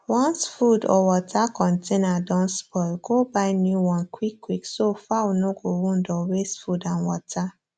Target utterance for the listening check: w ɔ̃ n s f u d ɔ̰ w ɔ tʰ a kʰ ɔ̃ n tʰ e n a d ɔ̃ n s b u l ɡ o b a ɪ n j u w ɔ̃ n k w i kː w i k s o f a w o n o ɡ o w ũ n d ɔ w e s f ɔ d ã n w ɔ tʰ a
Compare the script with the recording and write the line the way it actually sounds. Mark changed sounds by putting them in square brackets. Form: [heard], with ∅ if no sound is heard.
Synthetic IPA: w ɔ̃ n s f u d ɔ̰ w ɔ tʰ a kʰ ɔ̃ n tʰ e n a d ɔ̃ n s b [ɔ] l ɡ o b a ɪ n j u w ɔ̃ n k w i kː w i k s o f a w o n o ɡ o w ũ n d ɔ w e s f [u] d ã n w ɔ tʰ a